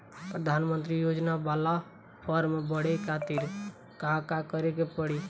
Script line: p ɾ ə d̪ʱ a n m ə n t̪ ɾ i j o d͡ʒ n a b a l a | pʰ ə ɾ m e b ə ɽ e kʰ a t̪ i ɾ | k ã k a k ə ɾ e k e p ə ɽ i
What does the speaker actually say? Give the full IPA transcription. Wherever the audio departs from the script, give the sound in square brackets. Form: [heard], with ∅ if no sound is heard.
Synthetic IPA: p ɾ ə d̪ʱ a n m ə n t̪ ɾ i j o d͡ʒ n a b a l a | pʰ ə ɾ m e b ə ɽ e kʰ a t̪ i ɾ | k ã k a k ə ɾ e k e p ə ɽ i